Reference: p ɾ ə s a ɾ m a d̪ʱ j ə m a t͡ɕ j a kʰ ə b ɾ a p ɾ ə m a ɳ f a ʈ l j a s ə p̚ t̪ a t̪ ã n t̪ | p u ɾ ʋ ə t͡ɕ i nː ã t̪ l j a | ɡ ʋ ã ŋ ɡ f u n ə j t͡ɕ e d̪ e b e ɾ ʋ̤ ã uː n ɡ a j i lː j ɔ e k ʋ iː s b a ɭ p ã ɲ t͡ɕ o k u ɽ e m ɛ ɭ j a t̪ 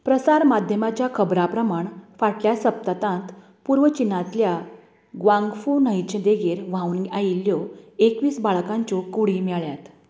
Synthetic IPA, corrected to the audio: p ɾ ə s a ɾ m a d̪ʱ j ə m a t͡ɕ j a kʰ ə b ɾ a p ɾ ə m a ɳ f a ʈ l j a s ə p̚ t̪ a t̪ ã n t̪ | p u ɾ ʋ ə t͡ɕ i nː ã t̪ l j a | ɡ ʋ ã ŋ ɡ f u n ə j t͡ɕ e d̪ e ɡ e ɾ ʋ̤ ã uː n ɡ a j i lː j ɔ e k ʋ iː s b a ɭ k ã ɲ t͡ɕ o k u ɽ i m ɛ ɭ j a t̪